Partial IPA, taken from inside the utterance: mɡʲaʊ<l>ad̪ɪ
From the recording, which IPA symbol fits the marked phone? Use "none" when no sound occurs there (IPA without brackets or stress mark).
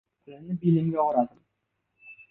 ɾ